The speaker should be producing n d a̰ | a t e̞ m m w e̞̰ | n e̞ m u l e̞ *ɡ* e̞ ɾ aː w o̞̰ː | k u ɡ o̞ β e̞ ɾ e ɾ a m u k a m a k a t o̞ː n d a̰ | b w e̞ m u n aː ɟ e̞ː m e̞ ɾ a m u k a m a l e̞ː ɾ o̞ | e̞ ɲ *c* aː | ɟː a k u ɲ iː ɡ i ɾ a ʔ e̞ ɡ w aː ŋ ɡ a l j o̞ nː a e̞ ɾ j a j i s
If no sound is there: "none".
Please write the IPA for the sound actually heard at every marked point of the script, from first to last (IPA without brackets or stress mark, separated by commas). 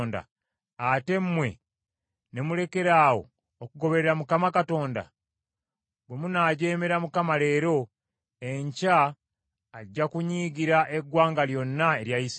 k, c